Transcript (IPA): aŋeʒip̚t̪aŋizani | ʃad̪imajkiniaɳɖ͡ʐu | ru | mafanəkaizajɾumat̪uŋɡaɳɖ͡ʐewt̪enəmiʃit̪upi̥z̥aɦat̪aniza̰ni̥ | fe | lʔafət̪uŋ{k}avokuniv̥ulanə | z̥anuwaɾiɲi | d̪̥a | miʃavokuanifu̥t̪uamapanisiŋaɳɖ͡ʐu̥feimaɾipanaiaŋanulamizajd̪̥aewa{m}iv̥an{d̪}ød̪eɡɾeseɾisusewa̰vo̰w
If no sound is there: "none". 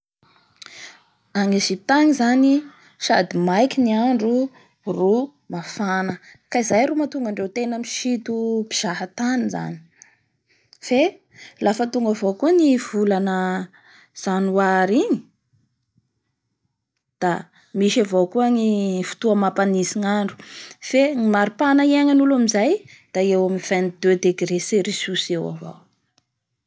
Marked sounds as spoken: ɡ, m, d̪

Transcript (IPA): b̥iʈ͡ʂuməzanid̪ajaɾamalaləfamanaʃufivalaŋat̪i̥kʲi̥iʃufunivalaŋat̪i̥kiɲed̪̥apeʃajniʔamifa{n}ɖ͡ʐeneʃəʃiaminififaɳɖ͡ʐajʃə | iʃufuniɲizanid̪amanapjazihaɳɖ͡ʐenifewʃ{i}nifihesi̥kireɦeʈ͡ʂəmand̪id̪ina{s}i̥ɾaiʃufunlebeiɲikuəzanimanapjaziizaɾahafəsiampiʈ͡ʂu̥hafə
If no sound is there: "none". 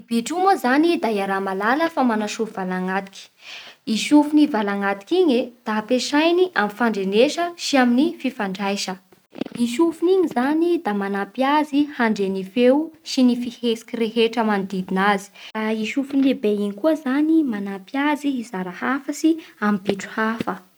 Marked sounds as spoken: ɳ, i, z

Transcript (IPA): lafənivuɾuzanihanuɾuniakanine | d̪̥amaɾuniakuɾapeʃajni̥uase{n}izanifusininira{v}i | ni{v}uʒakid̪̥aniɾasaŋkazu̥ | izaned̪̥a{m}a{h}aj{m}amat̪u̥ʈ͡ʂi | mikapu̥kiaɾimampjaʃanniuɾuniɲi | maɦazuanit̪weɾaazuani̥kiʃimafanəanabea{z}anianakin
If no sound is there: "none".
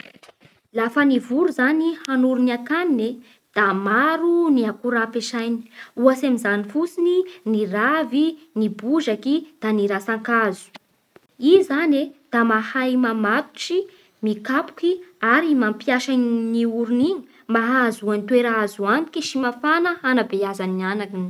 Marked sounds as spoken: m, v, b, m, h, m, z

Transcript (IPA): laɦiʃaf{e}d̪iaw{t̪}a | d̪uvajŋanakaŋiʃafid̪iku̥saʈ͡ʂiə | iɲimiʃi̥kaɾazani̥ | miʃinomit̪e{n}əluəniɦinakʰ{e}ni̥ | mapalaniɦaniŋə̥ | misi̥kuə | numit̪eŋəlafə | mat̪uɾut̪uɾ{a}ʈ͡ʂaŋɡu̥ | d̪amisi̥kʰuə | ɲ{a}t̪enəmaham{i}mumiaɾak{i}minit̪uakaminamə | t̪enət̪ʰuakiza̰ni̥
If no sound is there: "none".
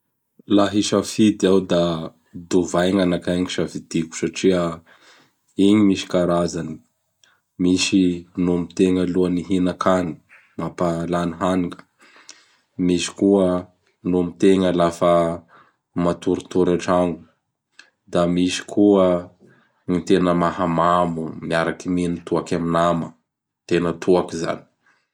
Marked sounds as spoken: i, d̪, ŋ, a, a, i, a, i

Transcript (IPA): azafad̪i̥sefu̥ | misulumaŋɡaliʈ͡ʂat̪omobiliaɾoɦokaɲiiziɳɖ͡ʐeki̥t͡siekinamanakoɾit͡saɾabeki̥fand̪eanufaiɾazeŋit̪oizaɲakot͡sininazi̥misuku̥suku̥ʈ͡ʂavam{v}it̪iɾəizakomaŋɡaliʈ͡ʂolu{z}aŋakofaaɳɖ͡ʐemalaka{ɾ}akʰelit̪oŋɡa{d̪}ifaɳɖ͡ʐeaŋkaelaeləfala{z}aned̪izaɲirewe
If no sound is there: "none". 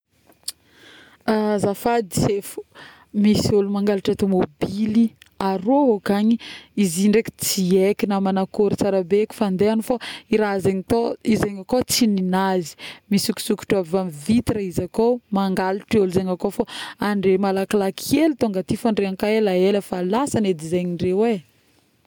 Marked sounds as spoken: v, z, l, t̪, s

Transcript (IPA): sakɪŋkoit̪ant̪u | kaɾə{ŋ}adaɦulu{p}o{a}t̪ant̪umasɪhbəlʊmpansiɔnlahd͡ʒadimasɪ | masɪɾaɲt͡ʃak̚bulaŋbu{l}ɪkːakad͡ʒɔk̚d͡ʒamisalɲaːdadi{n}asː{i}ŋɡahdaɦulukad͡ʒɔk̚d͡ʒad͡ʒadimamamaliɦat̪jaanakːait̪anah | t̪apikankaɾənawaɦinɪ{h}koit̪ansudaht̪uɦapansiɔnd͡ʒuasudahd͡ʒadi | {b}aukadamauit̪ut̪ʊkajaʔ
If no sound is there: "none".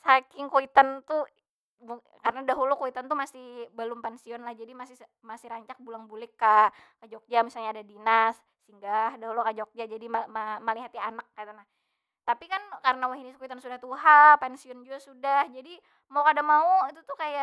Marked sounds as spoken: n, k, i, l, n, i, s, m

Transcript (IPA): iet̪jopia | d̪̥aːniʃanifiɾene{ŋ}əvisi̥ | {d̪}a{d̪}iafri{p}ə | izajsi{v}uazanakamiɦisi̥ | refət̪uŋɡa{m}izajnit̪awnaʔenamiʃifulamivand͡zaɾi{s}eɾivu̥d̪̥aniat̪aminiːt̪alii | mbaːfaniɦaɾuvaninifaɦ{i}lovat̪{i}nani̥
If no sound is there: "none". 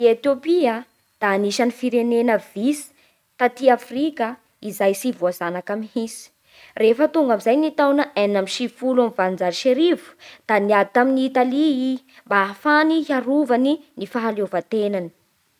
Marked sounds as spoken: n, t̪, t̪, k, v, m, ʃ, a, e

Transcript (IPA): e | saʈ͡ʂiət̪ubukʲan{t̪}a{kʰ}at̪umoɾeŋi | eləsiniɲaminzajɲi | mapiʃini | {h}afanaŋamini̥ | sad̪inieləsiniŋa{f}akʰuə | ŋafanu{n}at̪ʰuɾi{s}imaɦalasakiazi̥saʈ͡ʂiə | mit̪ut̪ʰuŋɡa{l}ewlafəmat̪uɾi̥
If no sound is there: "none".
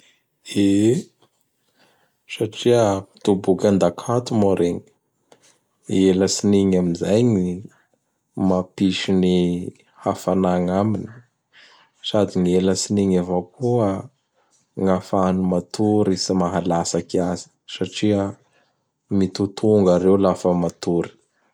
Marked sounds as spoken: d̪, kʰ, h, v, m, s, ɾ

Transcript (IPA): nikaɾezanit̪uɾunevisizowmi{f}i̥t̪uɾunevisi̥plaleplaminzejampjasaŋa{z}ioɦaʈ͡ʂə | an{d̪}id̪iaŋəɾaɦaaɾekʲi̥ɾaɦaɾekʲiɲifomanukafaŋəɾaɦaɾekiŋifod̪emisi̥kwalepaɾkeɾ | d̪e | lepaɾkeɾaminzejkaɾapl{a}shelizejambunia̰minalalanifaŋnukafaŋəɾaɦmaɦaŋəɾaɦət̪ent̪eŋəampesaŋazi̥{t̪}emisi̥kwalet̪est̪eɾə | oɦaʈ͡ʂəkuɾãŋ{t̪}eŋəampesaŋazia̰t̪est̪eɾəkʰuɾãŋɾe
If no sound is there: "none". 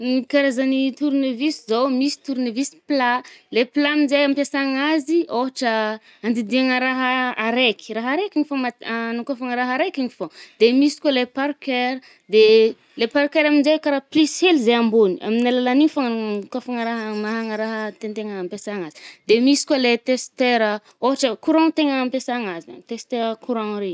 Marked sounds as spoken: s, z, d̪, i, d̪, t̪

